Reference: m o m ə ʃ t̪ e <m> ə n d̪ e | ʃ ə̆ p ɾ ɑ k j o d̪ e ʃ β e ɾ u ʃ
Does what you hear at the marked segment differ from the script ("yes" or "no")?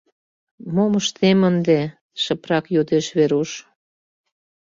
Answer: no